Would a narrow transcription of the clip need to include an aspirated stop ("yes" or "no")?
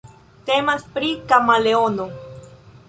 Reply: no